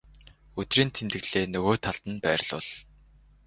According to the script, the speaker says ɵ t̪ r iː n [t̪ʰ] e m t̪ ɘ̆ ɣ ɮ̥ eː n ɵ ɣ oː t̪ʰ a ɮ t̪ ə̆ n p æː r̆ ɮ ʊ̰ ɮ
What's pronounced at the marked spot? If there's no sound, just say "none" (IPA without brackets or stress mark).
t̪ʰ